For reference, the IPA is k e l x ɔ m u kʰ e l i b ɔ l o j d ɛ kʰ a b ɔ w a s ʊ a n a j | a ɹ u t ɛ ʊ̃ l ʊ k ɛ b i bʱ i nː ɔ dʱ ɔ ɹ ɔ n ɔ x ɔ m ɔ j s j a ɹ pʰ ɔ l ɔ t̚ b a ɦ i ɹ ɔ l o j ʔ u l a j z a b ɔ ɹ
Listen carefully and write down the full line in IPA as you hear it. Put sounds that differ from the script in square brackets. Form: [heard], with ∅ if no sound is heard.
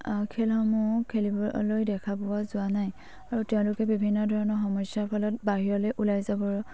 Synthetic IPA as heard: [kʰ] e l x ɔ m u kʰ e l i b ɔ l o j d ɛ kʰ a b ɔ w a [z] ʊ a n a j | a ɹ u t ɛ ʊ̃ l ʊ k ɛ b i bʱ i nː ɔ dʱ ɔ ɹ ɔ n ɔ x ɔ m ɔ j s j a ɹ pʰ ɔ l ɔ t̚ b a ɦ i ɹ ɔ l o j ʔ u l a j z a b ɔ ɹ